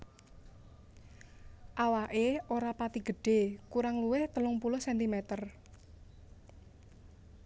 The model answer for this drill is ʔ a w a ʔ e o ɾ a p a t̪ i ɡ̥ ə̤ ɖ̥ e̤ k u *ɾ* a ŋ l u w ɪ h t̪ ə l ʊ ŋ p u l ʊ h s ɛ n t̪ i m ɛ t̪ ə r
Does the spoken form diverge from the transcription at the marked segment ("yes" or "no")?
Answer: no